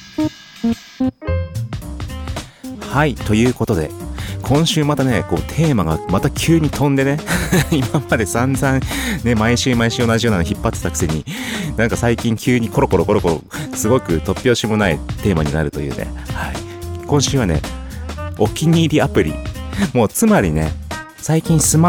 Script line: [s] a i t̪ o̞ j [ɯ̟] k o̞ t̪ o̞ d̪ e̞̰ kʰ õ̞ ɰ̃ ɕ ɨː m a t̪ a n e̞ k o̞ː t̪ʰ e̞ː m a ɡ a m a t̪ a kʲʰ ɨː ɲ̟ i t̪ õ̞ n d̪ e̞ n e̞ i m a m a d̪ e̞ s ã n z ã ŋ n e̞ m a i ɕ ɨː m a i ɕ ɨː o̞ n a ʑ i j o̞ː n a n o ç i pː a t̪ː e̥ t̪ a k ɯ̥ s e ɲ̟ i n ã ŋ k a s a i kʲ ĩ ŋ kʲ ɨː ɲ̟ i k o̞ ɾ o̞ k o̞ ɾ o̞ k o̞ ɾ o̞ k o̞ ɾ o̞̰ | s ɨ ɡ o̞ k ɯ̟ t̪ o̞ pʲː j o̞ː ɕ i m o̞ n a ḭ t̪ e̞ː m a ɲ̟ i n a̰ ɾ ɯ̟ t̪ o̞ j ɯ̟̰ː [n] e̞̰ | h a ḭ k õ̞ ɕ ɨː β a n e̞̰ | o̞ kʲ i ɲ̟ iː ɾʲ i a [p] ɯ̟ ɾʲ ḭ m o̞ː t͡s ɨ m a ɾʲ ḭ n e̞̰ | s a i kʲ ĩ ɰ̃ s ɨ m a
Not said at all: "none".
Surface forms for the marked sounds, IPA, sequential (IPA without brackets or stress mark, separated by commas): h, ɯ̟ː, n, p